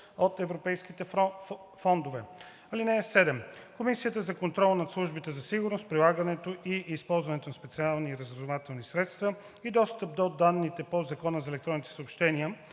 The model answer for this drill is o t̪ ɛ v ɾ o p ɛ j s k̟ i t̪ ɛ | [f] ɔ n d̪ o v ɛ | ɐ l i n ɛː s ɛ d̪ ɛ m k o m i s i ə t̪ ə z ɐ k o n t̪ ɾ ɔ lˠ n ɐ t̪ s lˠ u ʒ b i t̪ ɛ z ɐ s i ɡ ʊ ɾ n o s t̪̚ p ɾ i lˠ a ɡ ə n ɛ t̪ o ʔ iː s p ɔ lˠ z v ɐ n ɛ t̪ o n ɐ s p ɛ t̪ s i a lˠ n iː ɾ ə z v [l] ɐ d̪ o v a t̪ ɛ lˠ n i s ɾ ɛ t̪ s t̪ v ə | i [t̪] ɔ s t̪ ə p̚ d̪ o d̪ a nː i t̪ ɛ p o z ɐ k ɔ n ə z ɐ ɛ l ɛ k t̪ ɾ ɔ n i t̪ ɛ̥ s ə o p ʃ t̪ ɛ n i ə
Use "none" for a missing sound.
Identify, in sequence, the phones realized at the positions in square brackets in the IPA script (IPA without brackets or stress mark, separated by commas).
f, ɾ, d̪